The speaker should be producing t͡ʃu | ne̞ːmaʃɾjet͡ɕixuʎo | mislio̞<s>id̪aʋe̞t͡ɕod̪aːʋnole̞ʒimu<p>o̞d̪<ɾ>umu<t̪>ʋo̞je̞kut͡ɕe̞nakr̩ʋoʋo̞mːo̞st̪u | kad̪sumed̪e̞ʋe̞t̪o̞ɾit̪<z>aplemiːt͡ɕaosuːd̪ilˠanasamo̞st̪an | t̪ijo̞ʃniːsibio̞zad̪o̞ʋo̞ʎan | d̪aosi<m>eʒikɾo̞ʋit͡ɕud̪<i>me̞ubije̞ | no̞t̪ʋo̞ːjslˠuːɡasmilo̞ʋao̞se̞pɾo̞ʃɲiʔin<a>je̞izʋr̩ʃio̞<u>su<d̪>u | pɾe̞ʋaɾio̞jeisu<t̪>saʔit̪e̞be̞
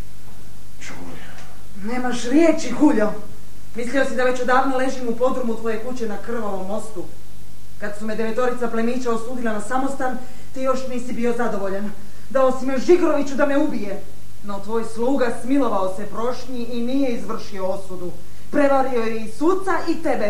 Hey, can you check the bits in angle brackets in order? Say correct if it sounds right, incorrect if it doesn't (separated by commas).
correct, correct, correct, correct, incorrect, correct, incorrect, incorrect, incorrect, correct, correct